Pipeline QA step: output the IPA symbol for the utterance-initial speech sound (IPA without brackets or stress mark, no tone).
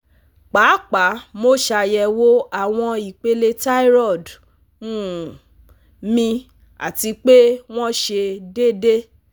k͡p